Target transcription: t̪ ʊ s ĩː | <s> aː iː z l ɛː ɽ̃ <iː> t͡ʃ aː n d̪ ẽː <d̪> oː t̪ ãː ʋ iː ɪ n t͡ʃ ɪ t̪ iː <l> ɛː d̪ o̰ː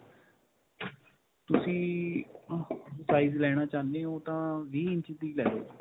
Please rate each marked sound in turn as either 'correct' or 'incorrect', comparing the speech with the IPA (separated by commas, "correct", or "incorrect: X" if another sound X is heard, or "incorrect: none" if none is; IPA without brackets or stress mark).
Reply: correct, incorrect: aː, incorrect: none, correct